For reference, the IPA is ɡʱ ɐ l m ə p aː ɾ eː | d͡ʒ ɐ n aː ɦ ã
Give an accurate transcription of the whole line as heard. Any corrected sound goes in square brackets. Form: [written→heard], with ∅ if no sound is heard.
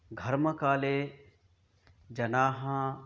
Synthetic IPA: ɡʱ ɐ [l→ɾ] m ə [p→k] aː [ɾ→l] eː | d͡ʒ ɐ n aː ɦ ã